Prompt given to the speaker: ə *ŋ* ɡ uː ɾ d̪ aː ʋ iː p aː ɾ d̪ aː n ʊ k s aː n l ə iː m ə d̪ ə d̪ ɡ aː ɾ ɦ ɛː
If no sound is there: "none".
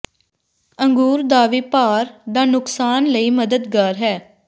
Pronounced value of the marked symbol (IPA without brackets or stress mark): ŋ